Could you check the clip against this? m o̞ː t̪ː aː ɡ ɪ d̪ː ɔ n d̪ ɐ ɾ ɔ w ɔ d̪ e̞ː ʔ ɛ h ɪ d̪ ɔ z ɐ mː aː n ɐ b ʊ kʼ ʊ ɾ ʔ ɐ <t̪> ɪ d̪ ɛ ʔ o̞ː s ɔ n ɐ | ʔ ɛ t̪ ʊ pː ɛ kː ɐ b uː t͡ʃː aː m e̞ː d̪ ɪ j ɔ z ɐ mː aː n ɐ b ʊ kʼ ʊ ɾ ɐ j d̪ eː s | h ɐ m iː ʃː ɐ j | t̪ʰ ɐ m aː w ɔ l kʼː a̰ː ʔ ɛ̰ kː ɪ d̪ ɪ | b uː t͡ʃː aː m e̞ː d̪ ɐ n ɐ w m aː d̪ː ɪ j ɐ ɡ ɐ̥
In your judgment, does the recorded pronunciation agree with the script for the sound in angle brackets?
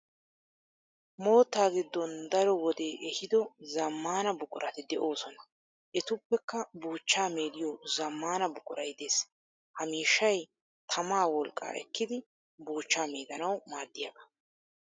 yes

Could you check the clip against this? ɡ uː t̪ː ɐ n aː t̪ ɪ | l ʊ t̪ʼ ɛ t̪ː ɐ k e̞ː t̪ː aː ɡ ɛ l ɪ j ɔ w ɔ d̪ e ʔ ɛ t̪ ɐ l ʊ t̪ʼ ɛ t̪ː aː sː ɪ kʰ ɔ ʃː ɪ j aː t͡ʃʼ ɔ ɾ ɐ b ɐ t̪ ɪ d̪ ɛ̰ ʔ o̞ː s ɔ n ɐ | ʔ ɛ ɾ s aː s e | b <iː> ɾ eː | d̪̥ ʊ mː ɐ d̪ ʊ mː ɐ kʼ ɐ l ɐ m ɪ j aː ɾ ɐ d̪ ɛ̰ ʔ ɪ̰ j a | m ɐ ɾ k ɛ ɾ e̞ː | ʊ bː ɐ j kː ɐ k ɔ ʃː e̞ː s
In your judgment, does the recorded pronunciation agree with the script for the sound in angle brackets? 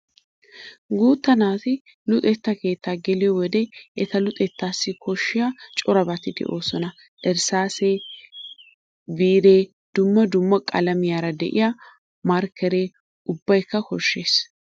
yes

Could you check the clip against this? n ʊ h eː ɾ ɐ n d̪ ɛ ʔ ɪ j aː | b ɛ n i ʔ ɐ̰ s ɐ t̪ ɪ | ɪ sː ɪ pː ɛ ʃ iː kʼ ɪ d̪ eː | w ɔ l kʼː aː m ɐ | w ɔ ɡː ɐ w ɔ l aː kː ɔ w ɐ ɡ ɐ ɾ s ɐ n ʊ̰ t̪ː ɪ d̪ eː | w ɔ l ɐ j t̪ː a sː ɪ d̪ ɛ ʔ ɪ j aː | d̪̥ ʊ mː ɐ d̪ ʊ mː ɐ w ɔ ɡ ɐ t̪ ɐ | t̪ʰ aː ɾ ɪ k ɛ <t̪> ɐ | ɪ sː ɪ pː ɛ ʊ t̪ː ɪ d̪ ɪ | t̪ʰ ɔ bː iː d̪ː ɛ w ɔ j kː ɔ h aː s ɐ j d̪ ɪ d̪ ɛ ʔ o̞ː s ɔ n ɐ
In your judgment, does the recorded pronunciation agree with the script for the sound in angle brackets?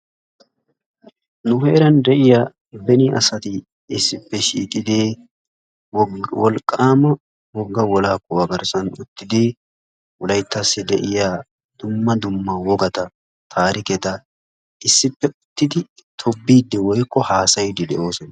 yes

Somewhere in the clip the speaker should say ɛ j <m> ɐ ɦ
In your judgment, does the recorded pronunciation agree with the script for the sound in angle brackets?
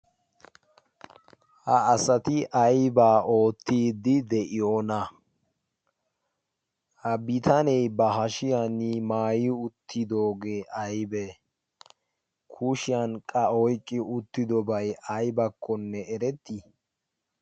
no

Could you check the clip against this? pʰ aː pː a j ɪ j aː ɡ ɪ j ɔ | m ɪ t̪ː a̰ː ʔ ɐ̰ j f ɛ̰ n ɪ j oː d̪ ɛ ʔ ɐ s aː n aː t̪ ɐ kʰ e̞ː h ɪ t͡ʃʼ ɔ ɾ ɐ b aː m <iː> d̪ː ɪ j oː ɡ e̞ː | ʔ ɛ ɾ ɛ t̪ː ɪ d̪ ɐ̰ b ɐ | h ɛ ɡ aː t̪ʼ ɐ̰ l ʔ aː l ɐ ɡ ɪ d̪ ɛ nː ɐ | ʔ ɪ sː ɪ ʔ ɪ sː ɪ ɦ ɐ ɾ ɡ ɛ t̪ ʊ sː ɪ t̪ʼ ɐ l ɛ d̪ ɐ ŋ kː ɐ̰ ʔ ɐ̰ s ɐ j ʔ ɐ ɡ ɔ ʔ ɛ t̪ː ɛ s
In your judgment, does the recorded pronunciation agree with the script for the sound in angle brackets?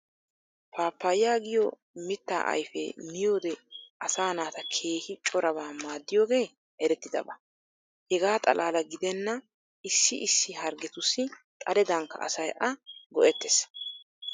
no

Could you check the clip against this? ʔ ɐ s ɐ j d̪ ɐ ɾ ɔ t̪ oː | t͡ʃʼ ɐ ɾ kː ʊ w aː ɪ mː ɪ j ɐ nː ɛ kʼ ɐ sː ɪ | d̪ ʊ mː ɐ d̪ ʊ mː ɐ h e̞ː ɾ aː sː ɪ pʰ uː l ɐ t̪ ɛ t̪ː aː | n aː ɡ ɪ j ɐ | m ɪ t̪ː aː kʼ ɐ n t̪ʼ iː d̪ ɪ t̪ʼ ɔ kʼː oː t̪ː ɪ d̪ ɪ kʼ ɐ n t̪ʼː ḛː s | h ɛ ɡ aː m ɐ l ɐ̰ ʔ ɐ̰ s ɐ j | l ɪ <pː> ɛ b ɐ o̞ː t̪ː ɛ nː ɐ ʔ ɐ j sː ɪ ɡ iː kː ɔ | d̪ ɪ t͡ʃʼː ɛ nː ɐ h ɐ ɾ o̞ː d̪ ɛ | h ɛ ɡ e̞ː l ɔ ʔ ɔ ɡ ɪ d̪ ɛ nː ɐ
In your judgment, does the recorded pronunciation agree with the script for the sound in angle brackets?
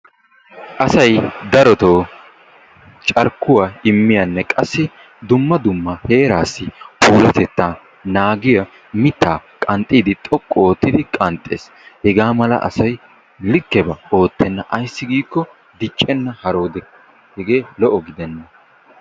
no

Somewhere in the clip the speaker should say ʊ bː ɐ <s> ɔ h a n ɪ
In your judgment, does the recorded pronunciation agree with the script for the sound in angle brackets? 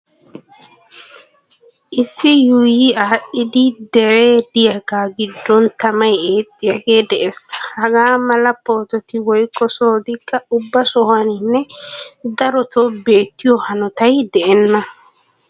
yes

